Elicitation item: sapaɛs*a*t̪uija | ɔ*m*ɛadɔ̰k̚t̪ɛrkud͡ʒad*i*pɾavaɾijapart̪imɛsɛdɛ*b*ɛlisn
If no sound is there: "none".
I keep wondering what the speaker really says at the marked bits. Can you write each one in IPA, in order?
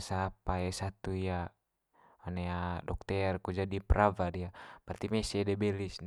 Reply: a, n, i, b

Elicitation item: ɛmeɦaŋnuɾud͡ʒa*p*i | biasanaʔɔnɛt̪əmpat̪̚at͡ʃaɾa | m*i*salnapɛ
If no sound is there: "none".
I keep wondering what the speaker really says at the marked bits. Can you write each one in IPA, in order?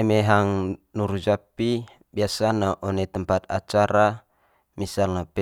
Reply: p, i

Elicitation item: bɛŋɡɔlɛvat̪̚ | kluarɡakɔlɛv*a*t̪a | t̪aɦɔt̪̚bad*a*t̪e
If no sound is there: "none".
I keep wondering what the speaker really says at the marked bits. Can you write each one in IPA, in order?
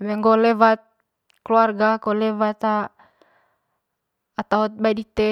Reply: a, i

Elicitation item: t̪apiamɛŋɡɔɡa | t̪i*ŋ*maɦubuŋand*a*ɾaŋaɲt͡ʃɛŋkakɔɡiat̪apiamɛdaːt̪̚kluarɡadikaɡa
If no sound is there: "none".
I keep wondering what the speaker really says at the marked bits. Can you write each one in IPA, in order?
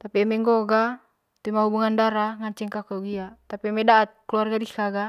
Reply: none, a

